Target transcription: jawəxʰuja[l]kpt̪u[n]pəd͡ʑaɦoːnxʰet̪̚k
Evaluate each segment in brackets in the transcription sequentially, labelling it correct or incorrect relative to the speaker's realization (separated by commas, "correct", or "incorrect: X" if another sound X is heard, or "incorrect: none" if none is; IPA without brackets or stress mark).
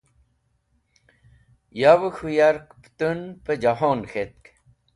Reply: incorrect: ɾ, correct